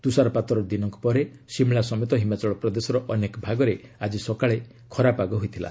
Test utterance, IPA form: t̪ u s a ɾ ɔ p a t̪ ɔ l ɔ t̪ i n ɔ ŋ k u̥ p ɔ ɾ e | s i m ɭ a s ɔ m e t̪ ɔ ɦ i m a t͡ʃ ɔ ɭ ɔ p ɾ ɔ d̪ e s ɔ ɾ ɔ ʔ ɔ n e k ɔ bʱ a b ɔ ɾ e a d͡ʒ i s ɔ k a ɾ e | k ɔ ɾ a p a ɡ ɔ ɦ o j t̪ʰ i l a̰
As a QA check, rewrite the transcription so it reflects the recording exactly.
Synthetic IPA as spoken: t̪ u s a ɾ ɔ p a t̪ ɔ ɾ ɔ d̪ i n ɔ ŋ k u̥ p ɔ ɾ e | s i m ɭ a s ɔ m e t̪ ɔ ɦ i m a t͡ʃ ɔ ɭ ɔ p ɾ ɔ d̪ e s ɔ ɾ ɔ ʔ ɔ n e k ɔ bʱ a ɡ ɔ ɾ e a d͡ʒ i s ɔ k a ɭ e | kʰ ɔ ɾ a p a ɡ ɔ ɦ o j t̪ʰ i l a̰